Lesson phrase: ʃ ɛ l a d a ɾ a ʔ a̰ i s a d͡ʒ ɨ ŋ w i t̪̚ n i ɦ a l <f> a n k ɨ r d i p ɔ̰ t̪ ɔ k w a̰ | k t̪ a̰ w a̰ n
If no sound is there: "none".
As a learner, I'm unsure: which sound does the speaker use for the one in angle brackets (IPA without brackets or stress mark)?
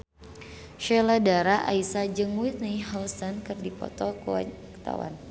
s